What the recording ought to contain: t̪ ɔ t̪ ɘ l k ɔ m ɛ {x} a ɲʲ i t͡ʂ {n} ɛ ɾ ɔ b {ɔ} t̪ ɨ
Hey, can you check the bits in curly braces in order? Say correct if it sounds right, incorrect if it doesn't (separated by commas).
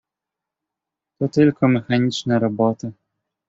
correct, correct, correct